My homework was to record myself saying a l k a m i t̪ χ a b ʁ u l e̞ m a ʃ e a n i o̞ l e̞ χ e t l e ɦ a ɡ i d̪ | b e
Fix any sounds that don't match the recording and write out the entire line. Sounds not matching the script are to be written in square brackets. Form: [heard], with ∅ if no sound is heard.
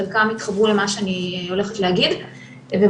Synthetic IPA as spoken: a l k a m i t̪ χ a b ʁ u l e̞ m a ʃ e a n i o̞ l e̞ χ e t l e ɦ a ɡ i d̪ | [v] e

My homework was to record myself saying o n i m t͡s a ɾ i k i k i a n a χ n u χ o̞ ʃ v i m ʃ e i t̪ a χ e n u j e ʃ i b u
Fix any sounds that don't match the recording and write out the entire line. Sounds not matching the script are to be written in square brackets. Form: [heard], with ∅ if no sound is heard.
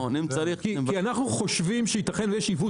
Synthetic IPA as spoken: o n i m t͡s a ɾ i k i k i a n a χ n u χ o̞ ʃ v i m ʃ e i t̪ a χ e n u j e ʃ i [v] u

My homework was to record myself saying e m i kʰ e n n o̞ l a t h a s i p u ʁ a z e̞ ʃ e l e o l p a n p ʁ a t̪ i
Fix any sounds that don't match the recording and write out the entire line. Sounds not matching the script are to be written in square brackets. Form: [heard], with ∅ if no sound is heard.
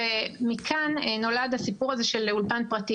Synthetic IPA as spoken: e m i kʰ [a] n n o̞ l a [d] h a s i p u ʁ a z e̞ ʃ e l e [u] l p a n p ʁ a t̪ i

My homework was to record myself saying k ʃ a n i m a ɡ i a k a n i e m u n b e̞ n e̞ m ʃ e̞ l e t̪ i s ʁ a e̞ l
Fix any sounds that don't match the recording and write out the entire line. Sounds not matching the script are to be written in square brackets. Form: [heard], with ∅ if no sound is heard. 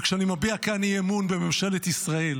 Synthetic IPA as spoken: k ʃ a n i m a [b] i a k a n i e m u n b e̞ [m] e̞ m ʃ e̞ l e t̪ i s ʁ a e̞ l

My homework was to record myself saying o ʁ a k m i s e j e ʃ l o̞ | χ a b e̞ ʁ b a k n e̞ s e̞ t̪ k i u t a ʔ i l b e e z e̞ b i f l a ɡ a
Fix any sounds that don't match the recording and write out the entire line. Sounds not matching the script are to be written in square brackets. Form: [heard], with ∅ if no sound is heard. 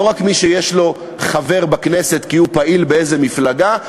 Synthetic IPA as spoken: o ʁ a k m i [ʃ] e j e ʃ l o̞ | χ a [v] e̞ ʁ b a k n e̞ s e̞ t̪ k i u [p] a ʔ i l b e e z e̞ [m] i f l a ɡ a

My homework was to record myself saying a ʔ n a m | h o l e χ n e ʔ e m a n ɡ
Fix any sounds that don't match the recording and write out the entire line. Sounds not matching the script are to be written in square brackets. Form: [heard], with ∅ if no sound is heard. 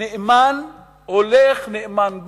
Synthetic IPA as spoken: [e] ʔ [m] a [n] | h o l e χ n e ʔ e m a n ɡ

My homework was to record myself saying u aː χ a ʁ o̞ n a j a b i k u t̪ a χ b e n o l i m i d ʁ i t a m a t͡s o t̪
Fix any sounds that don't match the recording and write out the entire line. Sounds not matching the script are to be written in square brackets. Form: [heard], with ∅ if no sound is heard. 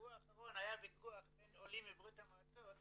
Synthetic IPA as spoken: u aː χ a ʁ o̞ n a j a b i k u [∅] a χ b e n o l i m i [b] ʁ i t a m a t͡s o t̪

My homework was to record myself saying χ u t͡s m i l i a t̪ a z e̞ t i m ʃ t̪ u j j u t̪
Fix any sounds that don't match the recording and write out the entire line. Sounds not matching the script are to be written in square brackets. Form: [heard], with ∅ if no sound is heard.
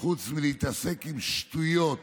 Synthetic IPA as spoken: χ u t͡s m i l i [i] t̪ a [s] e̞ [k] i m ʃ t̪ u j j [o] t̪

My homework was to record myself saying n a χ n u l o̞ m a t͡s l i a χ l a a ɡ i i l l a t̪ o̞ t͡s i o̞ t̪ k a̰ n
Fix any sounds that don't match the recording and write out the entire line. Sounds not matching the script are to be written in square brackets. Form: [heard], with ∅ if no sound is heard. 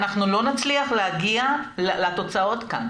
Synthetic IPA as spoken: n a χ n u l o̞ [n] a t͡s l i a χ l [e] a ɡ i [a] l l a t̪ o̞ t͡s [a] o̞ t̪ k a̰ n

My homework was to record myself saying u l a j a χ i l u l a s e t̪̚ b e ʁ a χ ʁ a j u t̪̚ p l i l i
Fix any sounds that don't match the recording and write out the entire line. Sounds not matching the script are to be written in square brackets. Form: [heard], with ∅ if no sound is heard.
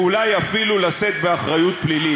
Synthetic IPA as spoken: u l a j a [f] i l u l a s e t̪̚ b e [∅] a χ ʁ a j u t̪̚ p l i l i

